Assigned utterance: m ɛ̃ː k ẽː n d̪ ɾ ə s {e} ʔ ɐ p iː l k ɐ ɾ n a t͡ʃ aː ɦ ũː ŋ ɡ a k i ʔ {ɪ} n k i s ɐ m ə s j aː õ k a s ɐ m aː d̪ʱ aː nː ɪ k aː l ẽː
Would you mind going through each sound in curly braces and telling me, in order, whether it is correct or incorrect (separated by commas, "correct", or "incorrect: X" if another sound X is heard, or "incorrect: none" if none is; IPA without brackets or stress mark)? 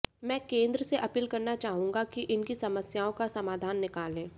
correct, correct